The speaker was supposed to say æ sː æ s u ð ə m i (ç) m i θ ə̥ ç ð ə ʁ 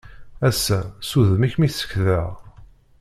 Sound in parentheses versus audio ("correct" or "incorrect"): correct